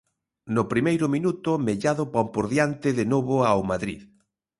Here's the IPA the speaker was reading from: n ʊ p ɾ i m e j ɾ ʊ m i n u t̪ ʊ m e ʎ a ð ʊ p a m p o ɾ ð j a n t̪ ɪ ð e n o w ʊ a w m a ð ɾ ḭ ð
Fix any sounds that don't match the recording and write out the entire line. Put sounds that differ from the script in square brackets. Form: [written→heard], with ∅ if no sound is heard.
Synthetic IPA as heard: n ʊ p ɾ i m e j ɾ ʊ m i n u t̪ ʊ m e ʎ a ð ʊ p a m p o ɾ ð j a n t̪ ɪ ð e n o [w→β] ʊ a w m a ð ɾ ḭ ð